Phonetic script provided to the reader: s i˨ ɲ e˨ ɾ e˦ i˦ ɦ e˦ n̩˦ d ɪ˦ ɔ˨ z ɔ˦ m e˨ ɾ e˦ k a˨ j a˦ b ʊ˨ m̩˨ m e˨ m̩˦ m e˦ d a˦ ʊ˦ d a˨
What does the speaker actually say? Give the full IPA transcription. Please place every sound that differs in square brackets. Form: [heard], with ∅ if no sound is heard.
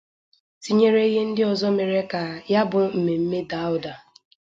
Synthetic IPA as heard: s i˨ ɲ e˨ ɾ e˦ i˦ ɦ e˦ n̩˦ d ɪ˦ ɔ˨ z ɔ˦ m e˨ ɾ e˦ k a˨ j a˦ b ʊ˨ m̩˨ m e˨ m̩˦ m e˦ d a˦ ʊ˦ d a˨